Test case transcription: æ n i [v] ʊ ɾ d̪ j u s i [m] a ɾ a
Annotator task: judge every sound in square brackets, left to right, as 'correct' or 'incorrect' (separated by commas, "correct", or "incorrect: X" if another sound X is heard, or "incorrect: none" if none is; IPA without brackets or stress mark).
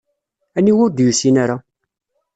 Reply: incorrect: w, incorrect: n